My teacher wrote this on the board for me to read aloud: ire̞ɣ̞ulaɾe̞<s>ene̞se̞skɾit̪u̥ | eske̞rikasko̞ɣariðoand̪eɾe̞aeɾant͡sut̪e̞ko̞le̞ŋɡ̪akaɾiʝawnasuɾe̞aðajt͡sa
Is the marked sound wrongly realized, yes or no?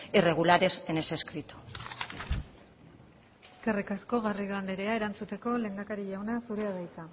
no